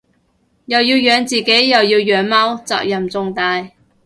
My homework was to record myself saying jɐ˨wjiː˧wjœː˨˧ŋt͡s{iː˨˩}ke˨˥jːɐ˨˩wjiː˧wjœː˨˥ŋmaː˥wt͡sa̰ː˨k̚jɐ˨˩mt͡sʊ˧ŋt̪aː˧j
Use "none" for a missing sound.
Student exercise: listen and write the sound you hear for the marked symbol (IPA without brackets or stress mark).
iː˨˩